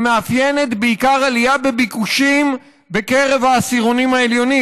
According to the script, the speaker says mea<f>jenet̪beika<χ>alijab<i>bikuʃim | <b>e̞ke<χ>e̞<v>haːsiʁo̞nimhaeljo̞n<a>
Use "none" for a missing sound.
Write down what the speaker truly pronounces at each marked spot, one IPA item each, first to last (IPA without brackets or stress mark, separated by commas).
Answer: f, ʁ, e, b, ʁ, v, i